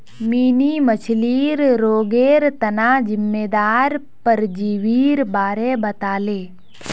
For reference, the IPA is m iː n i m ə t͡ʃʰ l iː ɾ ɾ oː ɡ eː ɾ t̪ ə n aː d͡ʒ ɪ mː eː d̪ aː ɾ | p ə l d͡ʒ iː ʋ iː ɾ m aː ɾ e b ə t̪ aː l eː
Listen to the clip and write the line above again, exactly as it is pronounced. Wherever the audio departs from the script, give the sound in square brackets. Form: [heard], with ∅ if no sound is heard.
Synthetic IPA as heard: m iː n i m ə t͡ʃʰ l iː ɾ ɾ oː ɡ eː ɾ t̪ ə n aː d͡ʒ ɪ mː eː d̪ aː ɾ | p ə [ɾ] d͡ʒ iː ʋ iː ɾ [b] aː ɾ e b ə t̪ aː l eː